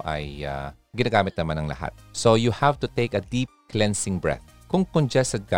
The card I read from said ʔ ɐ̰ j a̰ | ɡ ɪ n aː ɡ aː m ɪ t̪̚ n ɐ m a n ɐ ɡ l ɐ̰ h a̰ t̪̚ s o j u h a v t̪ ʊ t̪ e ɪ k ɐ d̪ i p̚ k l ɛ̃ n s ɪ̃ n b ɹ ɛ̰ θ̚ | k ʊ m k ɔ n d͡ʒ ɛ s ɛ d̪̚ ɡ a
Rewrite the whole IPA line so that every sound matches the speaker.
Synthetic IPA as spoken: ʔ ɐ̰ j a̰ | ɡ ɪ n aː ɡ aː m ɪ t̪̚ n ɐ m a n ɐ ŋ l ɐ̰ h a̰ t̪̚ s o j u h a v t̪ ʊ t̪ e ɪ k ɐ d̪ i p̚ k l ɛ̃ n s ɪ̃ ŋ b ɹ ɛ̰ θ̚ | k ʊ ŋ k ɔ n d͡ʒ ɛ s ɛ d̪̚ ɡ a